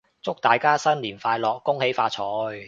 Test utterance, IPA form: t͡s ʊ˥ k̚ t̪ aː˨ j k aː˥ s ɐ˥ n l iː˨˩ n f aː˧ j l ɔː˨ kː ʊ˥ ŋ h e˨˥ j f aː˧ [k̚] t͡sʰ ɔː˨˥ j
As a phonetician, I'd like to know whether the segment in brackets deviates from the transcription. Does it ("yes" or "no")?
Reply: yes